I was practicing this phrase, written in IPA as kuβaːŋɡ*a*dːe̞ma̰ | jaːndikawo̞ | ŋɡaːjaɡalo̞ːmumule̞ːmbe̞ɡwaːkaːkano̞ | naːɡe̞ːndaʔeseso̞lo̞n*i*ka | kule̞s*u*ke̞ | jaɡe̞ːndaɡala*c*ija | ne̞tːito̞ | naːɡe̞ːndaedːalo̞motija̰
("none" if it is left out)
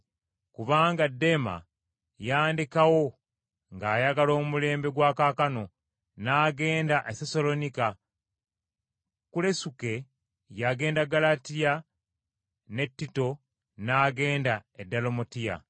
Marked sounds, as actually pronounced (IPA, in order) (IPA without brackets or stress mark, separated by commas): a, i, u, t